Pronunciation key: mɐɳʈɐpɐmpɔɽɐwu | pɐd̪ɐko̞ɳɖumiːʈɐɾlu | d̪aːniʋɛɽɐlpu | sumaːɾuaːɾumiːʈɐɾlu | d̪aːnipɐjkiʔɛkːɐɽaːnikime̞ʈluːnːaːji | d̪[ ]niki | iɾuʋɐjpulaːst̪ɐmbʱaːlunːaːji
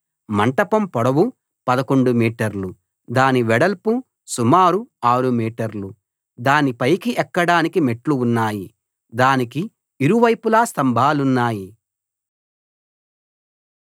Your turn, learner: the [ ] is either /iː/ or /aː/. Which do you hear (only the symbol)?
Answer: aː